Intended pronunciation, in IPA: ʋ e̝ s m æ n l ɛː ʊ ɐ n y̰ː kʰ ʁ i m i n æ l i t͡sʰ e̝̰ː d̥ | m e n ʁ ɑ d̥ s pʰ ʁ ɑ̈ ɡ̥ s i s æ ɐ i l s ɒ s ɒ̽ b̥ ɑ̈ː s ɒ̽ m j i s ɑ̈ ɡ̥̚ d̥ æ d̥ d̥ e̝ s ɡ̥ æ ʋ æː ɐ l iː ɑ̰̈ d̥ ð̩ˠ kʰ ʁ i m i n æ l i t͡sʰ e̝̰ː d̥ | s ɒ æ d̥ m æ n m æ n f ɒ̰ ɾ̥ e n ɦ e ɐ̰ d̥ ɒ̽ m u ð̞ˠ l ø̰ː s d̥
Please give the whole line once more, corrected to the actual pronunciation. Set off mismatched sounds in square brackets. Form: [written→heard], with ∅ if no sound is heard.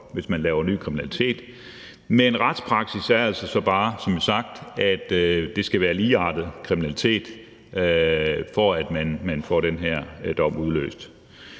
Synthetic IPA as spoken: ʋ e̝ s m æ n l ɛː ʊ ɐ n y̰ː kʰ ʁ i m i n æ l i t͡sʰ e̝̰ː d̥ | m e n ʁ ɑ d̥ s pʰ ʁ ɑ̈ ɡ̥ s i s æ ɐ [i→æ] l s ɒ s ɒ̽ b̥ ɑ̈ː s ɒ̽ m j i s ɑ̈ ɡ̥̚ d̥ æ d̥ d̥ e̝ s ɡ̥ æ ʋ æː ɐ l iː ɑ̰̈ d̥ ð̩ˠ kʰ ʁ i m i n æ l i t͡sʰ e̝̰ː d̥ | [s→f] ɒ æ d̥ m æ n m æ n f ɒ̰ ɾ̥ e n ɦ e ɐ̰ d̥ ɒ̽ m u ð̞ˠ l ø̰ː s d̥